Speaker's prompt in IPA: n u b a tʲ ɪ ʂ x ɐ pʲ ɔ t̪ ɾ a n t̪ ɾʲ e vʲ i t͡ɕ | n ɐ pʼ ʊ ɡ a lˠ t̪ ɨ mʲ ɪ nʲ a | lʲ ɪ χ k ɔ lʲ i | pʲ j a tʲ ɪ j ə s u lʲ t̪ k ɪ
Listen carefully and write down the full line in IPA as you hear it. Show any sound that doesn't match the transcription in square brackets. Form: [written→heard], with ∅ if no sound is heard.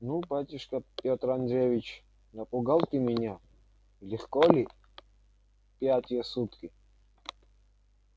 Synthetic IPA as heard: n u b a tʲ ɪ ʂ [x→k] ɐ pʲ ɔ t̪ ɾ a n [t̪→d̪] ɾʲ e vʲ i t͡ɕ | n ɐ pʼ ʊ ɡ a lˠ t̪ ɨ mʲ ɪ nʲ a | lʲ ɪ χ k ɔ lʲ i | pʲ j a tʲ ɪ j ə s u [lʲ→∅] t̪ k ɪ